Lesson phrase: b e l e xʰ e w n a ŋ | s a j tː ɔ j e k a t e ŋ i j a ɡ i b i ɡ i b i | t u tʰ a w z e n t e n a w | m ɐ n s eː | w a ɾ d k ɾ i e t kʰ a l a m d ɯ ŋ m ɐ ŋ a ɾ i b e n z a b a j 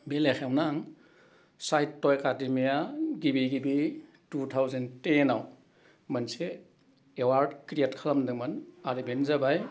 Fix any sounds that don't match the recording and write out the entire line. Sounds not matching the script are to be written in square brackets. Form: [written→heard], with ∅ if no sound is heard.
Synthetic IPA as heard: b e l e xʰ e w n a ŋ | s a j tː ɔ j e k a [t→d] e [ŋ→m] i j a ɡ i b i ɡ i b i | t u tʰ a w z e n t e n a w | m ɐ n s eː | w a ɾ d k ɾ i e t kʰ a l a m d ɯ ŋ m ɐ [ŋ→n] a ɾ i b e n z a b a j